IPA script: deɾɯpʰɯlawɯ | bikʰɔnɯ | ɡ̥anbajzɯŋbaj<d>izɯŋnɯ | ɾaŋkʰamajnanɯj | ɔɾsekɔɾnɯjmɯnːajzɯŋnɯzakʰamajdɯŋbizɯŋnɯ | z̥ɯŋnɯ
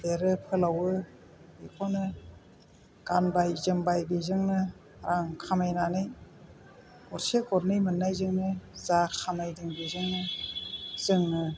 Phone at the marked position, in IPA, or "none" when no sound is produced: b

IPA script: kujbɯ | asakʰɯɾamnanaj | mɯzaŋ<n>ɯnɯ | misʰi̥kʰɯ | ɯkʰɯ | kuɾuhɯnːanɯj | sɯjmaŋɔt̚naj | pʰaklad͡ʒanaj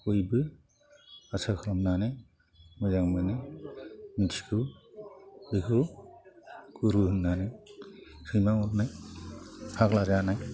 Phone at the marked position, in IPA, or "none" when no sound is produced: m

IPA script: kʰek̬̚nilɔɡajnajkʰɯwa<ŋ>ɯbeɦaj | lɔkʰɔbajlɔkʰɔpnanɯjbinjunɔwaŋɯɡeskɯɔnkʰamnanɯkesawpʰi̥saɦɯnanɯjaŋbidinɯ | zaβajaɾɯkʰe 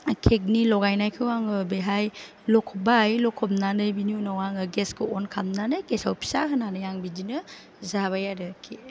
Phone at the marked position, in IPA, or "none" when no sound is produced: ŋ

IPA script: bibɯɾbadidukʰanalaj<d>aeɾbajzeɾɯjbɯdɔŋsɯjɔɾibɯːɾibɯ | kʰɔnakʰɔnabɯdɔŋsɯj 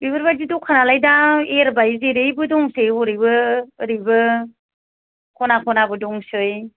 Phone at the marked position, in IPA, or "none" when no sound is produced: d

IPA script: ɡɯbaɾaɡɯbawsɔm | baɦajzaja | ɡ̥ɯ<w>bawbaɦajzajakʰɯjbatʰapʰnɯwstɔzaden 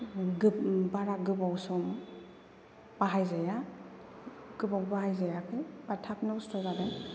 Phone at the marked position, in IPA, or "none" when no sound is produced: none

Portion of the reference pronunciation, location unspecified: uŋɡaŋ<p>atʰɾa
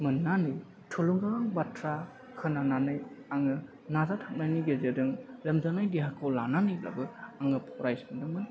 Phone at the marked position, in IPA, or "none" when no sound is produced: b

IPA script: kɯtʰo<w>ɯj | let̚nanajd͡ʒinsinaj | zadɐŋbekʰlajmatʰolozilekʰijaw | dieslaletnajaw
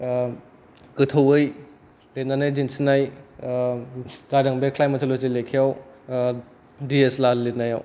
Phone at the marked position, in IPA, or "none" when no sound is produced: w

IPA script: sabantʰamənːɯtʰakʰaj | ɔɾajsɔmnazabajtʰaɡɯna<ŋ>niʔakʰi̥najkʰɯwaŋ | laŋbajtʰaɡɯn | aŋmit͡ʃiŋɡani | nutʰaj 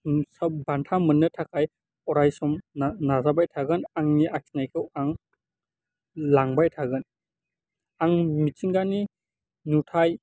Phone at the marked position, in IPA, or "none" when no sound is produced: ŋ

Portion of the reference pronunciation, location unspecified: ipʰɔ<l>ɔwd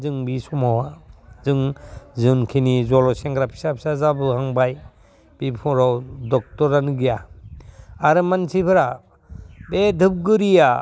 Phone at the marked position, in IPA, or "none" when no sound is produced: ɾ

